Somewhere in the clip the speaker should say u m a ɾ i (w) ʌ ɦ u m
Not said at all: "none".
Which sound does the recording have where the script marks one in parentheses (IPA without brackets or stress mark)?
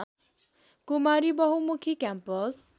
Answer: b